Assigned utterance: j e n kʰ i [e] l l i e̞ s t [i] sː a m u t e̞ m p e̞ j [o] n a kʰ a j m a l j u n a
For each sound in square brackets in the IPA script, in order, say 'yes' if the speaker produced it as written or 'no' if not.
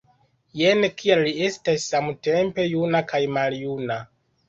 no, no, no

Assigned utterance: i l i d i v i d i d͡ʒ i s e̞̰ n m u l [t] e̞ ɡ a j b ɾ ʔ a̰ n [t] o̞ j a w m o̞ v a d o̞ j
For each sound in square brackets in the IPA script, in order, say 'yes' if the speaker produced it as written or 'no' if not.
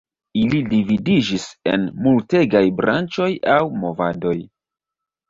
yes, no

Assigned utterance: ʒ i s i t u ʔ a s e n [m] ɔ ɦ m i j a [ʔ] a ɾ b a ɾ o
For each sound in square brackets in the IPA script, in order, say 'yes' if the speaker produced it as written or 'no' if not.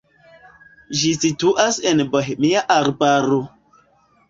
no, yes

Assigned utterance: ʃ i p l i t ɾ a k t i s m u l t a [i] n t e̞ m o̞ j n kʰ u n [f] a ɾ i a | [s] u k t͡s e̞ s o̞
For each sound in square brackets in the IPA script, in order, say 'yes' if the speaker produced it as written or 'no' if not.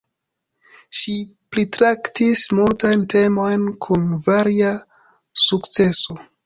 no, no, yes

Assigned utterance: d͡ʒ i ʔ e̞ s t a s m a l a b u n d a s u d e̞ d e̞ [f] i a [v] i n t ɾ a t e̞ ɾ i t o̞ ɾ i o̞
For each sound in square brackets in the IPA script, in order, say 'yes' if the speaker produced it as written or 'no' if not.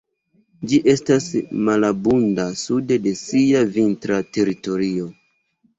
no, yes

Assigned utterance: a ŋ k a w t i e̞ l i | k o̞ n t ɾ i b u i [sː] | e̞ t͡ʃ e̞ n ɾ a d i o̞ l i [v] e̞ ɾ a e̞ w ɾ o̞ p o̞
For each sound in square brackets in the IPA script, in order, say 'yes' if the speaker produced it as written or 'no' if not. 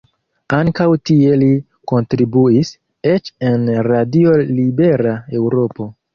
no, no

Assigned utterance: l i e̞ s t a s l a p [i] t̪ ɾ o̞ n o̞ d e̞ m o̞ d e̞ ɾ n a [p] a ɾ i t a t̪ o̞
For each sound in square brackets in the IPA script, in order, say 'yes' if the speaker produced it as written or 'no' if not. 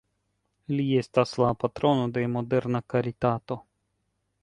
no, no

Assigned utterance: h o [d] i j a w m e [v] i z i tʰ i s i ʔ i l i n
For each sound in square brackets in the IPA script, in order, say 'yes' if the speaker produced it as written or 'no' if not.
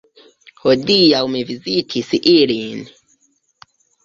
yes, yes

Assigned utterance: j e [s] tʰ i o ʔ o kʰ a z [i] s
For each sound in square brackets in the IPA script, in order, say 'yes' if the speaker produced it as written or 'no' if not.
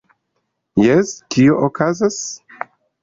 yes, no

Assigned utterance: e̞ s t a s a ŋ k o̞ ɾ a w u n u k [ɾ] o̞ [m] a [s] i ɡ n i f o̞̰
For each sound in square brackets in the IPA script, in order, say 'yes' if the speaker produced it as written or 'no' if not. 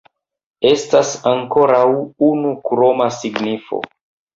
yes, yes, yes

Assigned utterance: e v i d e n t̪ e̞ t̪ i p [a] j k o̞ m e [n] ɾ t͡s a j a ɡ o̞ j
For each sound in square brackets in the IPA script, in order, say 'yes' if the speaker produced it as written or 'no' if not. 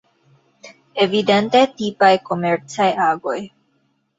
yes, no

